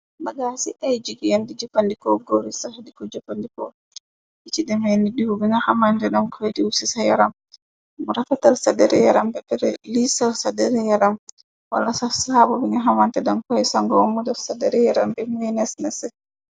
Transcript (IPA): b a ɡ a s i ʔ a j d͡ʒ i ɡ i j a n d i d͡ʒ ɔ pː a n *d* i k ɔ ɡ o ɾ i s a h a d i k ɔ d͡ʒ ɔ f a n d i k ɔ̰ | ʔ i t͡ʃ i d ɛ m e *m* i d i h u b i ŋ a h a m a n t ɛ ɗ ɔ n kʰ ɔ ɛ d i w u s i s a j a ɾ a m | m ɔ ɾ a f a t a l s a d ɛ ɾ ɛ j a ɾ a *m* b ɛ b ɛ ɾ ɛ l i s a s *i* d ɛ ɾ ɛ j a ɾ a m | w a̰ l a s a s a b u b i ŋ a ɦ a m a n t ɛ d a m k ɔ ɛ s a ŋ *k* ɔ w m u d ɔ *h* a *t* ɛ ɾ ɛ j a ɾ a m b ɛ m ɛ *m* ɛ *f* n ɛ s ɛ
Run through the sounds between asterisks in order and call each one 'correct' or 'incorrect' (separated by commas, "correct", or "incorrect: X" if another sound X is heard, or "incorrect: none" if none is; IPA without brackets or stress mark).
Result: correct, incorrect: n, correct, incorrect: a, incorrect: ɡ, incorrect: s, incorrect: d, incorrect: n, incorrect: s